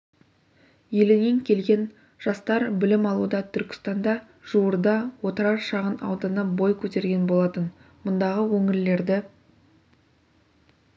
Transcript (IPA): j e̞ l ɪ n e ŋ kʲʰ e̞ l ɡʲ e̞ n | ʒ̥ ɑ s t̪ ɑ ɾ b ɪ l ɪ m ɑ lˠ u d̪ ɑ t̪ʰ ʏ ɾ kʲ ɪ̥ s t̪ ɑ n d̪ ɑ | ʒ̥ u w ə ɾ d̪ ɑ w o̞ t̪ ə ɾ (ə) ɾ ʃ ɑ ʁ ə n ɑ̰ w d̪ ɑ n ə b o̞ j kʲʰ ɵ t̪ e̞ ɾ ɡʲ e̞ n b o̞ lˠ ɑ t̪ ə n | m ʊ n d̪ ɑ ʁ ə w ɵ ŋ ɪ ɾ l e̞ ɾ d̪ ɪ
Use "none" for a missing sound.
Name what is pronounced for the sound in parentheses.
ɑ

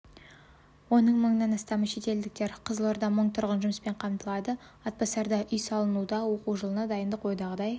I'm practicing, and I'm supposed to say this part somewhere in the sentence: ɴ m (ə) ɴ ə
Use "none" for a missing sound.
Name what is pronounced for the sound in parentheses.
ə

